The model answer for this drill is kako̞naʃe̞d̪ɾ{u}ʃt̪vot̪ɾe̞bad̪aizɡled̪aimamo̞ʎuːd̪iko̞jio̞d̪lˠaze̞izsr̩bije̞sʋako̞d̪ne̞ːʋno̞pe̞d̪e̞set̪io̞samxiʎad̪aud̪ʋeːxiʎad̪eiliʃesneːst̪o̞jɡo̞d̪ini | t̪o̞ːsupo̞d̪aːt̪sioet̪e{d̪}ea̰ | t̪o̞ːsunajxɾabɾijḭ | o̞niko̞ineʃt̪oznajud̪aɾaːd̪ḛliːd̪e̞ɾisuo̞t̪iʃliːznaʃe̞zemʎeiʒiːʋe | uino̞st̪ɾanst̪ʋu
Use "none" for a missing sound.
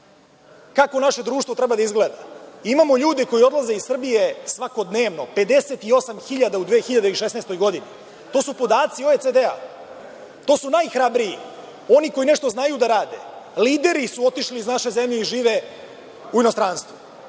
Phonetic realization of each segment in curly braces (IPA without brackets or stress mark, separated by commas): uː, d̪